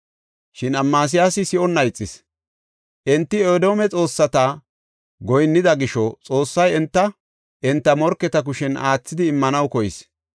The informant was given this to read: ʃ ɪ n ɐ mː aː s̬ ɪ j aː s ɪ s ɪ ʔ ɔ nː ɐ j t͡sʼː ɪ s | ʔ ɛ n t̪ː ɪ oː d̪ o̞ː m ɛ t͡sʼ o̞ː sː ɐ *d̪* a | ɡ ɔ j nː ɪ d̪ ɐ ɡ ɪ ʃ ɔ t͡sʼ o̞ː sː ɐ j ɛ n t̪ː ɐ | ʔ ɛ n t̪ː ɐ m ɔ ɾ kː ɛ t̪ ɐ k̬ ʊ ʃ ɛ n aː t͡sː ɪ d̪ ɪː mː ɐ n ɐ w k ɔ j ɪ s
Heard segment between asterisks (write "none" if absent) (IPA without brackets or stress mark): t̪